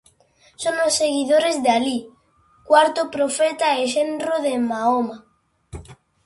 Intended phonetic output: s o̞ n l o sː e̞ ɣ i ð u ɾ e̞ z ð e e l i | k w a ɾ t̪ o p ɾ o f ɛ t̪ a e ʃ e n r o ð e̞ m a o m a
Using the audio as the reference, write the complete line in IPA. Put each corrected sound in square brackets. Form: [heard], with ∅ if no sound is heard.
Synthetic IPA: s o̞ n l o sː e̞ ɣ i ð [o] ɾ e̞ z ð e [a] l i | k w a ɾ t̪ o p ɾ o f [e] t̪ a e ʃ e n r o ð e̞ m a o m a

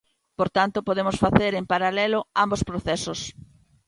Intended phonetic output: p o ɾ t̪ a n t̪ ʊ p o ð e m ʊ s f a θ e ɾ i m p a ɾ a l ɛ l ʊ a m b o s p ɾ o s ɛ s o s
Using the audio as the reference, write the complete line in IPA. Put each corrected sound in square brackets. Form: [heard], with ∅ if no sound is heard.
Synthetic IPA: p o ɾ t̪ a n t̪ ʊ p o ð e m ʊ s f a θ e ɾ [e] m p a ɾ a l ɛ l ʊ a m b o s p ɾ o [θ] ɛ s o s

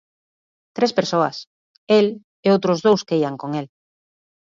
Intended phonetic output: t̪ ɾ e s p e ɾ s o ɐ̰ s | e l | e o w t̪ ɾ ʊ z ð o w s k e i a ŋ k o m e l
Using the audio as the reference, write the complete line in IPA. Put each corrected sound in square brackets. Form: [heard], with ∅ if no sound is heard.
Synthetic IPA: t̪ ɾ e s p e ɾ s o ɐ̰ s | e l | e o w t̪ ɾ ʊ z ð o w s k e i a ŋ k o [ŋ] e l

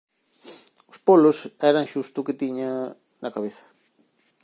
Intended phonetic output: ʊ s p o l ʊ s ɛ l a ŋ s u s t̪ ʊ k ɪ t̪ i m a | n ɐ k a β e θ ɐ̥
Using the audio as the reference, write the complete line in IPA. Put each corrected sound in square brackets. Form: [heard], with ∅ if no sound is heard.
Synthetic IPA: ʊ s p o l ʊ s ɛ [ɾ] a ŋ [ʃ] u s t̪ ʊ k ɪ t̪ i [ɲ] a | n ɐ k a β e θ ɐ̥

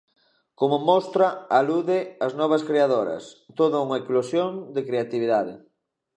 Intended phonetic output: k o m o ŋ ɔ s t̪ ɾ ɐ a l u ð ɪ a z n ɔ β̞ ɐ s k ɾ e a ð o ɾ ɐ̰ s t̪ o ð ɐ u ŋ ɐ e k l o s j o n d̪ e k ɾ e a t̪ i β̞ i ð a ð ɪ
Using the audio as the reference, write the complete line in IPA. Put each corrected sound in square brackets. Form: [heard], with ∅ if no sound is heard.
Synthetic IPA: k o m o [m] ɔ s t̪ ɾ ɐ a l u ð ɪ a z n ɔ β̞ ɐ s k ɾ e a ð o ɾ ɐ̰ s t̪ o ð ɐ u ŋ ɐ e k l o s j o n d̪ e k ɾ e a t̪ i β̞ i ð a ð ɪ

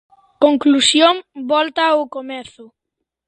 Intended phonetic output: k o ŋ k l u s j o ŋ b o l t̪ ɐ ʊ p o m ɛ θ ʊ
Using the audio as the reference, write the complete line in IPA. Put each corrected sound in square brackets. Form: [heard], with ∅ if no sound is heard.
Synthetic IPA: k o ŋ k l u s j o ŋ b [ɔ] l t̪ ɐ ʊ [k] o m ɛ θ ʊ

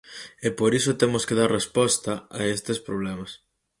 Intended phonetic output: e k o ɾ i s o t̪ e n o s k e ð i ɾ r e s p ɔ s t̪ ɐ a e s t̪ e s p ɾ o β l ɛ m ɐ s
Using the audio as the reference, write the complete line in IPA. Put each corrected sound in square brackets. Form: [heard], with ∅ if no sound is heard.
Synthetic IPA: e [p] o ɾ i s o t̪ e [m] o s k e ð [a] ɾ r e s p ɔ s t̪ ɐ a e s t̪ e s p ɾ o β l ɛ m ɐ s

